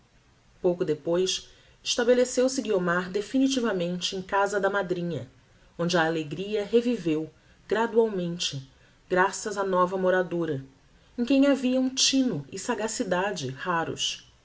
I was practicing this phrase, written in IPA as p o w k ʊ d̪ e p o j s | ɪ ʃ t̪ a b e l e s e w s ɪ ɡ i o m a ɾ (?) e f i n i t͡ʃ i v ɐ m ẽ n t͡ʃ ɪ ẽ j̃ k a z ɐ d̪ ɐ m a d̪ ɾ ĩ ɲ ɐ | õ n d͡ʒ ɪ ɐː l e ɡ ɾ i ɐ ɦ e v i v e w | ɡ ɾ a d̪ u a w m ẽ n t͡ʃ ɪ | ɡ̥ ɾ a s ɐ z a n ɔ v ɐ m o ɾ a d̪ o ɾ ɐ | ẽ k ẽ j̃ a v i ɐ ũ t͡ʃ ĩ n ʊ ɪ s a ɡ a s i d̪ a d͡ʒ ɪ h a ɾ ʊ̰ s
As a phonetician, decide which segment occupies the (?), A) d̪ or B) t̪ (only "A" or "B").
A